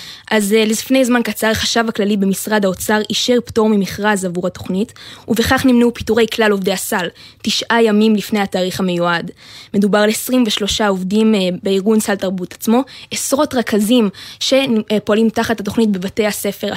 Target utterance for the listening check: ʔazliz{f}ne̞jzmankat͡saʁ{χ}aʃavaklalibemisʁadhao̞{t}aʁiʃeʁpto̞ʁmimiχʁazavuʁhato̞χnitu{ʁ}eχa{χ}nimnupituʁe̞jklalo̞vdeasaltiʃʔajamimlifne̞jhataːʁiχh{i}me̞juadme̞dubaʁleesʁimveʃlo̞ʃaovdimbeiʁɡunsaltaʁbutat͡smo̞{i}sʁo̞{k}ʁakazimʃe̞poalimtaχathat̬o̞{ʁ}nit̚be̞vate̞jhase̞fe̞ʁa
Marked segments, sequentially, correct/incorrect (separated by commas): correct, correct, incorrect, incorrect, correct, incorrect, incorrect, incorrect, incorrect